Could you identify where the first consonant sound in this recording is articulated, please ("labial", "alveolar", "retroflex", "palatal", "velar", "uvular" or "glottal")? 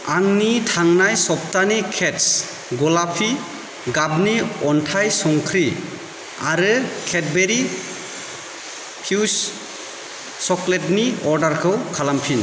velar